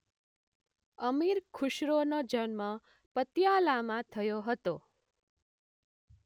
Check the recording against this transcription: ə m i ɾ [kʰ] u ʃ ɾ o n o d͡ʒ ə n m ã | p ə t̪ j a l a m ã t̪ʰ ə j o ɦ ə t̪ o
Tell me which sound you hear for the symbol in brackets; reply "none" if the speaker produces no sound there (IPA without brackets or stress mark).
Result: kʰ